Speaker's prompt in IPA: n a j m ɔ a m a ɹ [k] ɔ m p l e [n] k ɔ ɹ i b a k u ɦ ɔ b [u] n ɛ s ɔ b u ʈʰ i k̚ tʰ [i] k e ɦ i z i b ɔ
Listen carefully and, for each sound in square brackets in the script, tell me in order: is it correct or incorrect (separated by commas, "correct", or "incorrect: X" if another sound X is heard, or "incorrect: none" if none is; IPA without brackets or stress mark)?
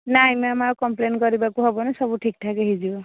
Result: correct, correct, incorrect: ɔ, incorrect: a